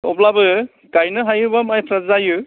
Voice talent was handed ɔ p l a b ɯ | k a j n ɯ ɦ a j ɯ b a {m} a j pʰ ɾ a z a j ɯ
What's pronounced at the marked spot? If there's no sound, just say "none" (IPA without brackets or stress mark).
m